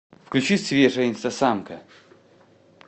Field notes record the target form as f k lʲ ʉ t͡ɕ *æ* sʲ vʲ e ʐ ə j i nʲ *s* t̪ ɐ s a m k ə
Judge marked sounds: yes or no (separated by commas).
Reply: no, yes